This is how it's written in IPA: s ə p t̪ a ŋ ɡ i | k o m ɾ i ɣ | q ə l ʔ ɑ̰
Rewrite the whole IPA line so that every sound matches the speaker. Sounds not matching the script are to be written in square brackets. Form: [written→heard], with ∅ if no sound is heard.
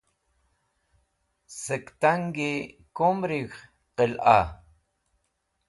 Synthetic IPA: s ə [p→k] t̪ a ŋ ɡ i | k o m ɾ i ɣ | q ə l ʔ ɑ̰